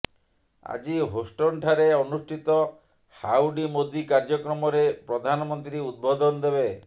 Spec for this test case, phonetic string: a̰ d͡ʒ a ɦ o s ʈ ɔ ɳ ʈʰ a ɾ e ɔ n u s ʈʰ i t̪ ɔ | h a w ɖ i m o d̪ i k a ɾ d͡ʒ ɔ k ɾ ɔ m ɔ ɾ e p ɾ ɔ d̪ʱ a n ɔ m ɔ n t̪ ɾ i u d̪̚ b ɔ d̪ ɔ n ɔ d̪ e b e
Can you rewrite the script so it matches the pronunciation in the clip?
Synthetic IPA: a̰ d͡ʒ i ɦ o s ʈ ɔ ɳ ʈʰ a ɾ e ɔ n u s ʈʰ i t̪ ɔ | h a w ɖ i m o d̪ i k a ɾ d͡ʒ ɔ k ɾ ɔ m ɔ ɾ e p ɾ ɔ d̪ʱ a n ɔ m ɔ n t̪ ɾ i u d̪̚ b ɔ d̪ ɔ n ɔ d̪ e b e

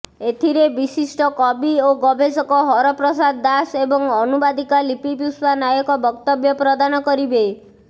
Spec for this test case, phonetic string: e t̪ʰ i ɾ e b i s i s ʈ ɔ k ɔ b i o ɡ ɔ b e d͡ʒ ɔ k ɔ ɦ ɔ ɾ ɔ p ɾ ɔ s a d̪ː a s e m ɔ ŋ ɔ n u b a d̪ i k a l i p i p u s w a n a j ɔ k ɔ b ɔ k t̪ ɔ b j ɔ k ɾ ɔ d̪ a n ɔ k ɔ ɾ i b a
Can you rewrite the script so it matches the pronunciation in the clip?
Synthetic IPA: e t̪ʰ i ɾ e b i s i s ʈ ɔ k ɔ b i o ɡ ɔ b e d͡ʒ ɔ k ɔ ɦ ɔ ɾ ɔ p ɾ ɔ s a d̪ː a s e b ɔ ŋ ɔ n u b a d̪ i k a l i p i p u s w a n a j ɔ k ɔ b ɔ k t̪ ɔ b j ɔ p ɾ ɔ d̪ a n ɔ k ɔ ɾ i b e

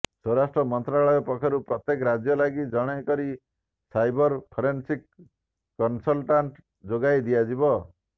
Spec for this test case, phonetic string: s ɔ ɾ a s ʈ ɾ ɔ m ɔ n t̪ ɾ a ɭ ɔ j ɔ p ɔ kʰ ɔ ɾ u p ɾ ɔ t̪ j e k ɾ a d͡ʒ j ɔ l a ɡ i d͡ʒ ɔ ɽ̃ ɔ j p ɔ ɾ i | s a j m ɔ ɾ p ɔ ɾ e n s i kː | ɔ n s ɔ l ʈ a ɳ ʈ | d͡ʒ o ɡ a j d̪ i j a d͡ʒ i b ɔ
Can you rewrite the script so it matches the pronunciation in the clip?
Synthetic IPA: s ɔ ɾ a s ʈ ɾ ɔ m ɔ n t̪ ɾ a ɭ ɔ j ɔ p ɔ kʰ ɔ ɾ u p ɾ ɔ t̪ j e k ɾ a d͡ʒ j ɔ l a ɡ i d͡ʒ ɔ ɽ̃ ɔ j k ɔ ɾ i | s a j b ɔ ɾ pʰ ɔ ɾ e n s i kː | ɔ n s ɔ l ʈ a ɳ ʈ | d͡ʒ o ɡ a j d̪ i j a d͡ʒ i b ɔ

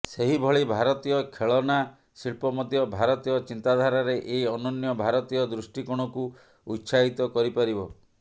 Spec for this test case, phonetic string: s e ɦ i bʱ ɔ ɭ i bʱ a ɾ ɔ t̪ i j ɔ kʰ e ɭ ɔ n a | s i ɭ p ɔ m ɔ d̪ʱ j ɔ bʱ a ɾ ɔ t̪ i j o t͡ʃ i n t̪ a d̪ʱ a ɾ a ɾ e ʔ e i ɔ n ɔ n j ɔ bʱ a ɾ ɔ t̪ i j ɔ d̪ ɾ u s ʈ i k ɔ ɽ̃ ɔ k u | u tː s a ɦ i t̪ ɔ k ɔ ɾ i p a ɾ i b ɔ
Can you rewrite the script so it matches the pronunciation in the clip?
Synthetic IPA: s e ɦ i bʱ ɔ ɭ i bʱ a ɾ ɔ t̪ i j ɔ kʰ e ɭ ɔ n a | s i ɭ p ɔ m ɔ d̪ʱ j ɔ bʱ a ɾ ɔ t̪ i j ɔ t͡ʃ i n t̪ a d̪ʱ a ɾ a ɾ e ʔ e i ɔ n ɔ n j ɔ bʱ a ɾ ɔ t̪ i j ɔ d̪ ɾ u s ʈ i k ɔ ɽ̃ ɔ k u | u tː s a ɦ i t̪ ɔ k ɔ ɾ i p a ɾ i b ɔ

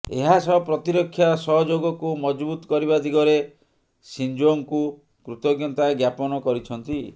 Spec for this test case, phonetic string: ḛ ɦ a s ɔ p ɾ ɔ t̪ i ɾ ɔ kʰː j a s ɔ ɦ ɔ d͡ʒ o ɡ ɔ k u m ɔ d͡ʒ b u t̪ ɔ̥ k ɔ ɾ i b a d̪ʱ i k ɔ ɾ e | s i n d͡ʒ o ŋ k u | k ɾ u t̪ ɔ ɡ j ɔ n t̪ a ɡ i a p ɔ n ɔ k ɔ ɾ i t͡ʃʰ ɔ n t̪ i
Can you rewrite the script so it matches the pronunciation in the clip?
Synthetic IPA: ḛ ɦ a s ɔ p ɾ ɔ t̪ i ɾ ɔ kʰː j a s ɔ ɦ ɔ d͡ʒ o ɡ ɔ k u m ɔ d͡ʒ b u t̪ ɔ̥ k ɔ ɾ i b a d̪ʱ i ɡ ɔ ɾ e | s i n d͡ʒ o ŋ k u | k ɾ u t̪ ɔ ɡ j ɔ n t̪ a ɡ j a p ɔ n ɔ k ɔ ɾ i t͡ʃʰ ɔ n t̪ i

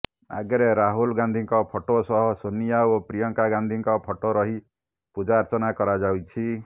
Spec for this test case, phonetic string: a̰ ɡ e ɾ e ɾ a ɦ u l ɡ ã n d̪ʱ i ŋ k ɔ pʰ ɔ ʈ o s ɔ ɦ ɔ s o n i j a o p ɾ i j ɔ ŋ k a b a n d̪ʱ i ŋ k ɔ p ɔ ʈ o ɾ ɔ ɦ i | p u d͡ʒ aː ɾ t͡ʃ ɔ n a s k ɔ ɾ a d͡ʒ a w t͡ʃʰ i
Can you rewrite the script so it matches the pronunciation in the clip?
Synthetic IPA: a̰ ɡ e ɾ e ɾ a ɦ u l ɡ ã n d̪ʱ i ŋ k ɔ pʰ ɔ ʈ o s ɔ ɦ ɔ s o n i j a o p ɾ i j ɔ ŋ k a ɡ a n d̪ʱ i ŋ k ɔ pʰ ɔ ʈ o ɾ ɔ ɦ i | p u d͡ʒ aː ɾ t͡ʃ ɔ n a k ɔ ɾ a d͡ʒ a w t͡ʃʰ i

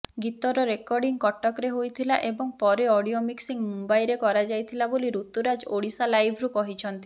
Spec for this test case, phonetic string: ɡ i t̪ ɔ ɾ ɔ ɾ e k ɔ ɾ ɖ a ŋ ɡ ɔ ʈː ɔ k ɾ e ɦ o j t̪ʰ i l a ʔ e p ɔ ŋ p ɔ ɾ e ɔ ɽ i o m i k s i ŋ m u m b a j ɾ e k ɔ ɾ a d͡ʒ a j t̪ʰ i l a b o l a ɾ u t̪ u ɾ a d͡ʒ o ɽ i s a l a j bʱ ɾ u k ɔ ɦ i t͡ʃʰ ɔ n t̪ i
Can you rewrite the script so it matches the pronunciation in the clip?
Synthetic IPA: ɡ i t̪ ɔ ɾ ɔ ɾ e k ɔ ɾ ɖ i ŋ k ɔ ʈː ɔ k ɾ e ɦ o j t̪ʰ i l a ʔ e b ɔ ŋ p ɔ ɾ e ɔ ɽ i o m i k s i ŋ m u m b a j ɾ e k ɔ ɾ a d͡ʒ a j t̪ʰ i l a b o l i ɾ u t̪ u ɾ a d͡ʒ o ɽ i s a l a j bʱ ɾ u k ɔ ɦ i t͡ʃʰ ɔ n t̪ i

